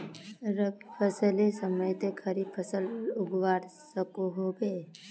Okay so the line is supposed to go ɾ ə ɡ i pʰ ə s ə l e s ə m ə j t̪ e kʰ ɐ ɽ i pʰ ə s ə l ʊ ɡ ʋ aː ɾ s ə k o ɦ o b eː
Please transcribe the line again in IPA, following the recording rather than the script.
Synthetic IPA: ɾ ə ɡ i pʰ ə s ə l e s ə m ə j t̪ e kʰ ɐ ɾ i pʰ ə s ə l ʊ ɡ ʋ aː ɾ s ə k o ɦ o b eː